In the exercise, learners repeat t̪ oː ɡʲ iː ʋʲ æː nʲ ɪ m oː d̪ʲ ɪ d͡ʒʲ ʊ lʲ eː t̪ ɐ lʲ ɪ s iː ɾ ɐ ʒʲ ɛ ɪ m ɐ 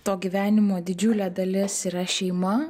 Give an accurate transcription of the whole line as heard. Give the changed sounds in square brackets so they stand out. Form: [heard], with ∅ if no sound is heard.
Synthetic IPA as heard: t̪ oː ɡʲ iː ʋʲ æː nʲ ɪ m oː d̪ʲ ɪ d͡ʒʲ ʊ lʲ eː [d̪] ɐ lʲ ɪ s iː ɾ ɐ [ʃʲ] ɛ ɪ m ɐ